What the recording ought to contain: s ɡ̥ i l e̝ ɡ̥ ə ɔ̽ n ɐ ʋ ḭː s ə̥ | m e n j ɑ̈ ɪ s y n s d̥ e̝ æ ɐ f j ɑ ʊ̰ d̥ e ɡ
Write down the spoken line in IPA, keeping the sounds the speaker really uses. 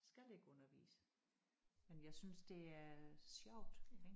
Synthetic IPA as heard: s ɡ̥ æ l e̝ ɡ̥ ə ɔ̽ n ɐ ʋ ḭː s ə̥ | m e n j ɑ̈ ɪ s y n s d̥ e̝ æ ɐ s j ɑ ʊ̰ d̥ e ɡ